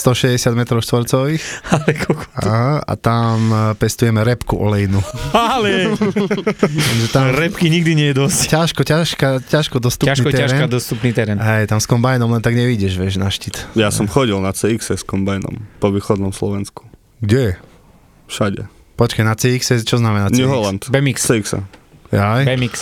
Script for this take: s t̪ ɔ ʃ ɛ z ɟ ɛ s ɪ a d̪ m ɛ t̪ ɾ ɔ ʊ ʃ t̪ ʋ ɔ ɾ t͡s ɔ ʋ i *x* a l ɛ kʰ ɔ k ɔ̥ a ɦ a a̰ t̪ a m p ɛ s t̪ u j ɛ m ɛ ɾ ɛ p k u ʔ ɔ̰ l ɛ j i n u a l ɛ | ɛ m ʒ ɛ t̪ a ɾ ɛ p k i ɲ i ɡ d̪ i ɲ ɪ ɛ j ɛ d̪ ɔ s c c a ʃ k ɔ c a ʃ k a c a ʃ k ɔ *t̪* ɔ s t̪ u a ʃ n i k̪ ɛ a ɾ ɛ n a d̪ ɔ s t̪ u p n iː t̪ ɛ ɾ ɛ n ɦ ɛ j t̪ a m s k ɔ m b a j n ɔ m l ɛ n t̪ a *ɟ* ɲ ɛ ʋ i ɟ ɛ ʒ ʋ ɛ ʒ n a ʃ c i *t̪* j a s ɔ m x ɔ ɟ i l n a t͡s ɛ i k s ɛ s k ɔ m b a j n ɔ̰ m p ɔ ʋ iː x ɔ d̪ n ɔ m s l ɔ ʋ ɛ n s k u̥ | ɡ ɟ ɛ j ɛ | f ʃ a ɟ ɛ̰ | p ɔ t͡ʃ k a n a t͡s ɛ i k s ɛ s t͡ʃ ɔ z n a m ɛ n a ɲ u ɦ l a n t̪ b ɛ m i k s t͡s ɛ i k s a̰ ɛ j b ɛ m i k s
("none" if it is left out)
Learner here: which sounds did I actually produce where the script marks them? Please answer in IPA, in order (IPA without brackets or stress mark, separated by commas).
x, d̪, ɡ, t̪